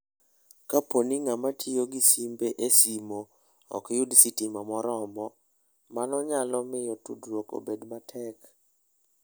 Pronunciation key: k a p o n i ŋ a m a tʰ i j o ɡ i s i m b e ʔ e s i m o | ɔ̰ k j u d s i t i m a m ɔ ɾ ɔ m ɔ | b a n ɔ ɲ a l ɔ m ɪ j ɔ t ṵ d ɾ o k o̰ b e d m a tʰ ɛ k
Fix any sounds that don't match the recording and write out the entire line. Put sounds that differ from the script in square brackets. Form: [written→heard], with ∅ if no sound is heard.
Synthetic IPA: k a p o n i ŋ a m a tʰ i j o ɡ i s i m b e ʔ e s i m o | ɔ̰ k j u d s i t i m a m ɔ ɾ ɔ m ɔ | [b→m] a n ɔ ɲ a l ɔ m ɪ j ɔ t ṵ d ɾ o k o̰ b e d m a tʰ ɛ k